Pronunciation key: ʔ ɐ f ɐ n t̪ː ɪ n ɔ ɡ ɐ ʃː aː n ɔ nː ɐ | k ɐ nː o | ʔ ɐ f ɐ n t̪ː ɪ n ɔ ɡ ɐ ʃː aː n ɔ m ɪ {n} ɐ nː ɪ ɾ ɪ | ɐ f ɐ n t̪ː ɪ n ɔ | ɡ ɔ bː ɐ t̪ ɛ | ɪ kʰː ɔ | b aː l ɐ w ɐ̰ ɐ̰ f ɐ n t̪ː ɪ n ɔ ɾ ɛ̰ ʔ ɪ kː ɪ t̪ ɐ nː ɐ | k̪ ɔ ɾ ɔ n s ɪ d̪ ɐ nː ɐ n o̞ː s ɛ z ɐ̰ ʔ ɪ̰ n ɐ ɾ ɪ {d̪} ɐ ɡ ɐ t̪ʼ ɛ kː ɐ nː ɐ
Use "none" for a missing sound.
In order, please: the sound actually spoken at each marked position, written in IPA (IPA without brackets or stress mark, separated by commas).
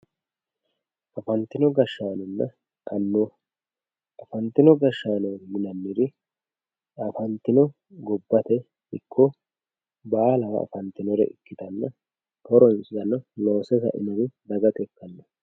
n, d̪